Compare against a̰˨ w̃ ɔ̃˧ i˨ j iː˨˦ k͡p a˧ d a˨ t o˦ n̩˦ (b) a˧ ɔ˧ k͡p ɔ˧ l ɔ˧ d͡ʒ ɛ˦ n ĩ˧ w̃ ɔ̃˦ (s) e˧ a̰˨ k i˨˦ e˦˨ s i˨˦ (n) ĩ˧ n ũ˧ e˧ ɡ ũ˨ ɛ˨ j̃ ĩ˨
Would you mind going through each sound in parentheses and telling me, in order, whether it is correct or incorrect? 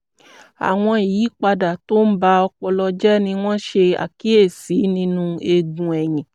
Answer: correct, incorrect, correct

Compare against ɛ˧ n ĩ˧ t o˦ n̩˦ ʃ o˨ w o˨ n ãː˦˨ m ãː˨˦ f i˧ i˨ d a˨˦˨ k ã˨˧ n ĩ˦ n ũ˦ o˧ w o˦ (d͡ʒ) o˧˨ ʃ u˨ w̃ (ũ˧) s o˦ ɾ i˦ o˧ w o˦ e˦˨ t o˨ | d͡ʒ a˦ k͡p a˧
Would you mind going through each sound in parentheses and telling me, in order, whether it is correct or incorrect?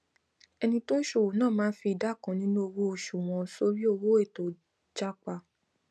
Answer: incorrect, incorrect

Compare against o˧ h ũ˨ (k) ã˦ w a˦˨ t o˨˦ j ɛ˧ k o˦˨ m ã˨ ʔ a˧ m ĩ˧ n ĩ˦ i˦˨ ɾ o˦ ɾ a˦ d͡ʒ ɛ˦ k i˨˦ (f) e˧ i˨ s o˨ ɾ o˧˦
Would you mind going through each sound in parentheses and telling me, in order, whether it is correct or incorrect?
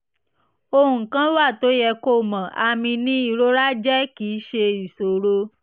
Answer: correct, incorrect

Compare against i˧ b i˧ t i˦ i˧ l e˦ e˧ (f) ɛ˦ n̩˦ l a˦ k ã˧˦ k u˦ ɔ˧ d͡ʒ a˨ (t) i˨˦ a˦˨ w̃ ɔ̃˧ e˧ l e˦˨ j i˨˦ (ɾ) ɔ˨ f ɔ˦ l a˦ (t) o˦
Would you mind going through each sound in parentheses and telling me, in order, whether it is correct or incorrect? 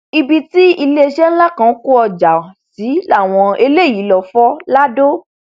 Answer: incorrect, incorrect, incorrect, incorrect

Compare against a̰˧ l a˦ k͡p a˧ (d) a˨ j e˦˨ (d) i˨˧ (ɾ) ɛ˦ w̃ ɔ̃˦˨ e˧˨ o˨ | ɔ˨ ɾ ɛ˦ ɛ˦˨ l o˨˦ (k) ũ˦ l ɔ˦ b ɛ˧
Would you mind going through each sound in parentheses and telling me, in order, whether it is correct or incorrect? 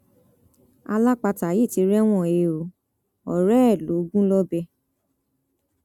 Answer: incorrect, incorrect, correct, incorrect

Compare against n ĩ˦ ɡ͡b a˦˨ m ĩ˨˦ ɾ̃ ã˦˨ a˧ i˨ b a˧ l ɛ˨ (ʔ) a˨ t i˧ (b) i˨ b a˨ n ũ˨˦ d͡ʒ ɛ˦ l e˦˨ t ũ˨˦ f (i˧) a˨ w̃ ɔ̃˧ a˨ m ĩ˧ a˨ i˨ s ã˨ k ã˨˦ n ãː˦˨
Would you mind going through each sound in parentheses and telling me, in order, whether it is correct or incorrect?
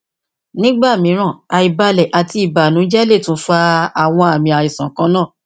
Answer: correct, incorrect, incorrect

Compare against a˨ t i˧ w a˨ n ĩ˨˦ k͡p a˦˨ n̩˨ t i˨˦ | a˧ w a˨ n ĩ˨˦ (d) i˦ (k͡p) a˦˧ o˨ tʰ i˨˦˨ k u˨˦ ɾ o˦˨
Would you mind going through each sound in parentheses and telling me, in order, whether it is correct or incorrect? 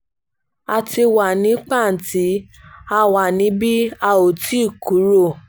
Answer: incorrect, incorrect

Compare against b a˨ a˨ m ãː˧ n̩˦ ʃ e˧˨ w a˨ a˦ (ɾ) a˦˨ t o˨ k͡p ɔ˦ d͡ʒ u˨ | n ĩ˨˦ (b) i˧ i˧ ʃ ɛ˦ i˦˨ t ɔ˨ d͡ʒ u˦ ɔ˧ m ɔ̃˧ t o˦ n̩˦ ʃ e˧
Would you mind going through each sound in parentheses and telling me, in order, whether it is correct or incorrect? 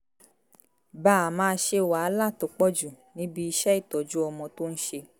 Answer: incorrect, correct

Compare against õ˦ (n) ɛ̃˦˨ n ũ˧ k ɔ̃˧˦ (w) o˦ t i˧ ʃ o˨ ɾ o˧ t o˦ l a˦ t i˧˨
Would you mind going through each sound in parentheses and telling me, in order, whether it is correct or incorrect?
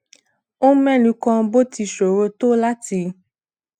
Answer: incorrect, incorrect

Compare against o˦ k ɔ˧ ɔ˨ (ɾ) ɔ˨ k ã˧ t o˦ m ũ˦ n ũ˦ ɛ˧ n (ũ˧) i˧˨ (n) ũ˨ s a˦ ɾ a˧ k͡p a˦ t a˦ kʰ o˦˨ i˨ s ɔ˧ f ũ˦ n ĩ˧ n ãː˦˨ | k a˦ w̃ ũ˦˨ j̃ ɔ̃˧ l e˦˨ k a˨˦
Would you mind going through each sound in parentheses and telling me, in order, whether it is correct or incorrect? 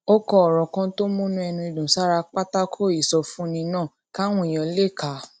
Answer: correct, correct, incorrect

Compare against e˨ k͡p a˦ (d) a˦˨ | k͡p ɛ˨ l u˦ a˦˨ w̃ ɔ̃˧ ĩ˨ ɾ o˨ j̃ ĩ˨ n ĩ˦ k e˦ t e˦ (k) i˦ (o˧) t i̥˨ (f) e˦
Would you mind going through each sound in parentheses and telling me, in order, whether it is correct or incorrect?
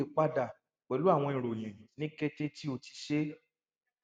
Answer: correct, incorrect, correct, incorrect

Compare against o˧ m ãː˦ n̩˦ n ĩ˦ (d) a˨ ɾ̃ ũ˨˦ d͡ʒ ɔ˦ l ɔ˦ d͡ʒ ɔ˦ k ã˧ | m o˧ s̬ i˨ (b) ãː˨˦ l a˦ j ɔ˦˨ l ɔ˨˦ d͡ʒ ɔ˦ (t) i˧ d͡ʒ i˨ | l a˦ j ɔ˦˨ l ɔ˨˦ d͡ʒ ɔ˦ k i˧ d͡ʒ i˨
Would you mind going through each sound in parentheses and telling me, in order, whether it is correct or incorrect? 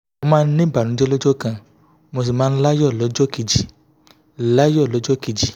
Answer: incorrect, incorrect, incorrect

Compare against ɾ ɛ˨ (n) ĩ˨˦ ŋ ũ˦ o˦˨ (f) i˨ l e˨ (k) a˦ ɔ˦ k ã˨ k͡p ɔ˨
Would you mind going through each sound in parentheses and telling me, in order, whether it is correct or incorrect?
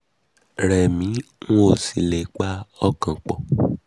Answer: incorrect, incorrect, incorrect

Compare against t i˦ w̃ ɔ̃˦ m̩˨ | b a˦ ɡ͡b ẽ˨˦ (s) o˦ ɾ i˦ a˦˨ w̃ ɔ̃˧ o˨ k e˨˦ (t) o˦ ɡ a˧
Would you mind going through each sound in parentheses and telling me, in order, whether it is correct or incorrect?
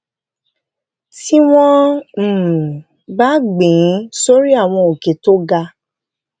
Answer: correct, correct

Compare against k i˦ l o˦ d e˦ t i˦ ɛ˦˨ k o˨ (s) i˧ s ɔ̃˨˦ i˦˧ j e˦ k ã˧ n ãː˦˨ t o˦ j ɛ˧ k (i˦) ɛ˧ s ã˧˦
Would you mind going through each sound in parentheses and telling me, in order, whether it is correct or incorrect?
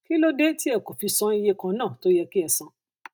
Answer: incorrect, correct

